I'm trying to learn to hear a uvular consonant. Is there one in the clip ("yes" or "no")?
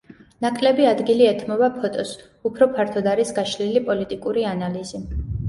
no